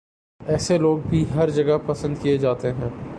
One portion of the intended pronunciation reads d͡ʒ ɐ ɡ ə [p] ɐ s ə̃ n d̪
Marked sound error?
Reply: no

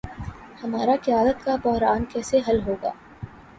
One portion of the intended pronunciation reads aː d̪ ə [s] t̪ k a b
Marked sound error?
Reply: yes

